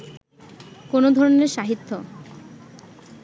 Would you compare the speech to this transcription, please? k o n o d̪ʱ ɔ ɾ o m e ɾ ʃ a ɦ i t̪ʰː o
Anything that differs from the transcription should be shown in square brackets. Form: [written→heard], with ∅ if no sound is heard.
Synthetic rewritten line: k o n o d̪ʱ ɔ ɾ o [m→n] e ɾ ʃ a ɦ i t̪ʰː o

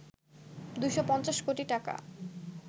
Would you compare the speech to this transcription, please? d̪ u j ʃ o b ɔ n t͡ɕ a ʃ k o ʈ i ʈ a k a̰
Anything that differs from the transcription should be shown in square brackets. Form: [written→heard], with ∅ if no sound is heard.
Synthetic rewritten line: d̪ u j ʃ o [b→p] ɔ n t͡ɕ a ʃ k o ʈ i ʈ a k a̰

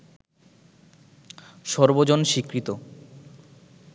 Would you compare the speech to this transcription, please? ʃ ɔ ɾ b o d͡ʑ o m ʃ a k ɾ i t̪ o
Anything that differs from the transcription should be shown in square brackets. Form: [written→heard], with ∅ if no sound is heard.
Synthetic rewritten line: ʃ ɔ ɾ b o d͡ʑ o [m→n] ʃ [a→i] k ɾ i t̪ o

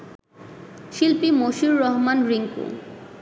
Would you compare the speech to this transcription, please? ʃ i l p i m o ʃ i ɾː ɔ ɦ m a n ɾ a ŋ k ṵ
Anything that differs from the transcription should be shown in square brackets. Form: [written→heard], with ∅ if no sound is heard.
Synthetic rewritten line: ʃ i l p i m o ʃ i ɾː ɔ ɦ m a n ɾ [a→i] ŋ k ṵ

